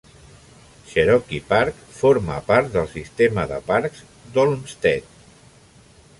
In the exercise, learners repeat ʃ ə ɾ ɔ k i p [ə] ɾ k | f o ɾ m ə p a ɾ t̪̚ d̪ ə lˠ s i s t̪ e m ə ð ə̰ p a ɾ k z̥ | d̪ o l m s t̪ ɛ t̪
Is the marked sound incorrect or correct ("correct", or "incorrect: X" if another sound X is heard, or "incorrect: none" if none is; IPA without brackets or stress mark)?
incorrect: a